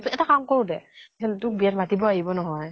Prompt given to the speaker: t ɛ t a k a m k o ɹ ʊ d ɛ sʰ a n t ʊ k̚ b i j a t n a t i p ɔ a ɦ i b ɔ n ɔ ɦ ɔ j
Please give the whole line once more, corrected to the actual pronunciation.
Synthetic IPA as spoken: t ɛ t a k a m k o ɹ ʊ d ɛ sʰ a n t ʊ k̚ b i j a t m a t i b ɔ a ɦ i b ɔ n ɔ ɦ ɔ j